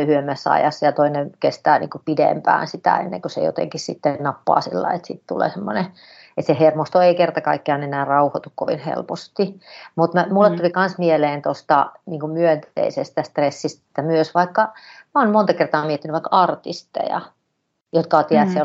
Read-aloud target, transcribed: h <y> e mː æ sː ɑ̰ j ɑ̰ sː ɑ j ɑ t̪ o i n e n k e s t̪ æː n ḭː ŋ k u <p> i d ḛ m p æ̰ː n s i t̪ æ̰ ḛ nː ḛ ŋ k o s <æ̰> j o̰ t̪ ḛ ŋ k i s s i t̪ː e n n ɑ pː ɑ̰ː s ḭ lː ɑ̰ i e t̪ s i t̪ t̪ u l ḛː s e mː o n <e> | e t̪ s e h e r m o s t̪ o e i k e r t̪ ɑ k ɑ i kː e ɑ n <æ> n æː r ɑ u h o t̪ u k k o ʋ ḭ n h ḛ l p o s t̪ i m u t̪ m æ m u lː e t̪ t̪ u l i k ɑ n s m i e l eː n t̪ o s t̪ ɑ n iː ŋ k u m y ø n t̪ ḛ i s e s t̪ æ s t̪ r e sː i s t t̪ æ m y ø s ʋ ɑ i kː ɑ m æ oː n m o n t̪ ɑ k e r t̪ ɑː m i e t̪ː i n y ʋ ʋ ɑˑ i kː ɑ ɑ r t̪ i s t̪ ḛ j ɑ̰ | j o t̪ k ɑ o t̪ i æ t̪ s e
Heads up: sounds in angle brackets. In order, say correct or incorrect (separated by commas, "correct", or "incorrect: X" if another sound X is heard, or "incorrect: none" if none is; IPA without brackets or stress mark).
correct, correct, incorrect: ḛ, correct, incorrect: e